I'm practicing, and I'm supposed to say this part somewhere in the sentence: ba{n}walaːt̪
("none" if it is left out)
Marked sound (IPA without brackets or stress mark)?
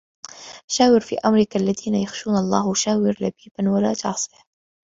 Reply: n